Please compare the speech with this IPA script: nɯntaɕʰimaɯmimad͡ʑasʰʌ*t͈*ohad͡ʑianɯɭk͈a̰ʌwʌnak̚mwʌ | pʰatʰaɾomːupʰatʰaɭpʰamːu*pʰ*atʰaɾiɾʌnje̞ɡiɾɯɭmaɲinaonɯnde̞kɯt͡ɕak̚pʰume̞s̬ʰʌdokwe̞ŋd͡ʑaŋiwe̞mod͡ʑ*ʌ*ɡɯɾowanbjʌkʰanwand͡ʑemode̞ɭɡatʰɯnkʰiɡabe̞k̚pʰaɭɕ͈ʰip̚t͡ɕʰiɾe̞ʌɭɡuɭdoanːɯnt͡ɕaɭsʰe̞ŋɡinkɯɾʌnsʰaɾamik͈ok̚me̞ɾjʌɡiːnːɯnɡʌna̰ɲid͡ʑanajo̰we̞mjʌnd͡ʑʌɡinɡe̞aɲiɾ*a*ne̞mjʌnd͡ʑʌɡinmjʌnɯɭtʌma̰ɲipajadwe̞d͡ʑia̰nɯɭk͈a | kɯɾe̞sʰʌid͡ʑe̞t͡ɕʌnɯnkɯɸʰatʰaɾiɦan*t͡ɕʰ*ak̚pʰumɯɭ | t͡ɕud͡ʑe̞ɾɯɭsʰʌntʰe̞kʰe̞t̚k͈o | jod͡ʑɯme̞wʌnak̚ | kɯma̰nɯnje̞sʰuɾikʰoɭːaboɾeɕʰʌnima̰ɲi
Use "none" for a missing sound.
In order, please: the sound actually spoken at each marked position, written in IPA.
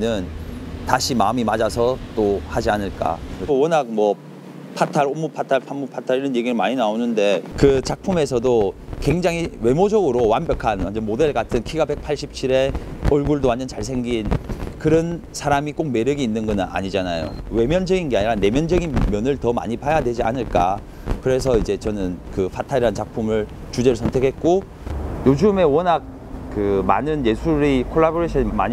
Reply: t͈, pʰ, ʌ, a, t͡ɕ

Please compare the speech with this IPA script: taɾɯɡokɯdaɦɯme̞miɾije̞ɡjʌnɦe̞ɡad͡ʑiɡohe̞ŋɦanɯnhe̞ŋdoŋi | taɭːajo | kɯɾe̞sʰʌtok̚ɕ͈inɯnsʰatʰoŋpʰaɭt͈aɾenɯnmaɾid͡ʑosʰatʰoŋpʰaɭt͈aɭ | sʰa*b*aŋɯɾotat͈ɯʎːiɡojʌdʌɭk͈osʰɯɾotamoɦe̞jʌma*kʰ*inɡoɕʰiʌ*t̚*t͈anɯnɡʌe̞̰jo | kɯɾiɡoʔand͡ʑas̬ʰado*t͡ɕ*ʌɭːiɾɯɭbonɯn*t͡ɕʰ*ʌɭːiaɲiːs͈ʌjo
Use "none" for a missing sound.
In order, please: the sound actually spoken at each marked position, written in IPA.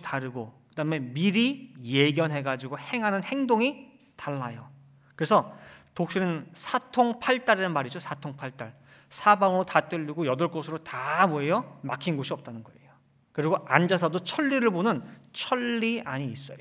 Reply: b, kʰ, p̚, t͡ɕʰ, t͡ɕʰ

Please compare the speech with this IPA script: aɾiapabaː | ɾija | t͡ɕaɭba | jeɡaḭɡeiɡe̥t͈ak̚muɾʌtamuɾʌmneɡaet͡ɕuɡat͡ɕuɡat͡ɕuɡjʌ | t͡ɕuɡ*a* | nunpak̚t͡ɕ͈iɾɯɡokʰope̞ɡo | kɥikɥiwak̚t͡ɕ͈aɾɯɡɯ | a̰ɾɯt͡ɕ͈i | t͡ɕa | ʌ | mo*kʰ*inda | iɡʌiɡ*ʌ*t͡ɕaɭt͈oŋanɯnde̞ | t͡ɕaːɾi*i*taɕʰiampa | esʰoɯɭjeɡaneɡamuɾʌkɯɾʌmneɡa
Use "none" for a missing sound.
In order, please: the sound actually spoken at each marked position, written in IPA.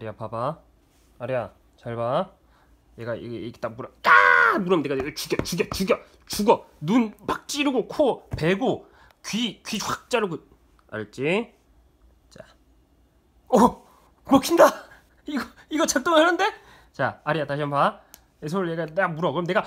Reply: ʌ, kʰ, ʌ, a

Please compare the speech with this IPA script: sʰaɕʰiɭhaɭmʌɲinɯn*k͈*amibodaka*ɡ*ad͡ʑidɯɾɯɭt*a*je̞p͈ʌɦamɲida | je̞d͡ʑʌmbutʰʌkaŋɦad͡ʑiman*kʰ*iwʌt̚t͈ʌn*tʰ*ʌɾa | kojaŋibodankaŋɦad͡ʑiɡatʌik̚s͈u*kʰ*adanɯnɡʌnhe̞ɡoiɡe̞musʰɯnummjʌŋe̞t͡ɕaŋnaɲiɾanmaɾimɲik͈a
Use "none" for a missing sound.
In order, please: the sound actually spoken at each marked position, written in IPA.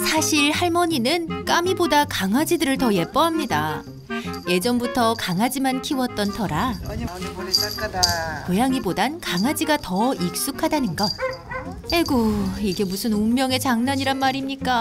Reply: k͈, ŋ, ʌ, kʰ, tʰ, kʰ

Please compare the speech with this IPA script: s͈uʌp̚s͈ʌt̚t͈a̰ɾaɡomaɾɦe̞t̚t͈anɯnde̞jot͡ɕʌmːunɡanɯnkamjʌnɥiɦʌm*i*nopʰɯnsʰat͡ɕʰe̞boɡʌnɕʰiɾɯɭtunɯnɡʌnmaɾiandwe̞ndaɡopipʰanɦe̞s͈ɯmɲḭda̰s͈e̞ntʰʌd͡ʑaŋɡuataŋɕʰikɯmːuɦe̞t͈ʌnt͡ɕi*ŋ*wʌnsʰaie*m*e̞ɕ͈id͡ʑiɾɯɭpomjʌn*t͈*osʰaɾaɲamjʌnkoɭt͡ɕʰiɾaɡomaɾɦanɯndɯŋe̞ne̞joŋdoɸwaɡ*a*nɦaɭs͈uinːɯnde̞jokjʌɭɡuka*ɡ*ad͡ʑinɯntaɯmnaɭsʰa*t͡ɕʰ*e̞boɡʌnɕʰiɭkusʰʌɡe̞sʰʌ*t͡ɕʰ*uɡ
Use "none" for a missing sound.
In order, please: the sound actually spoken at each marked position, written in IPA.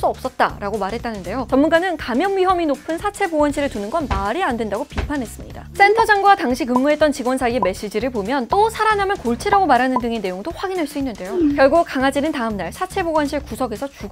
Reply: i, ɡ, m, t͈, i, ŋ, t͡ɕʰ, t͡ɕ

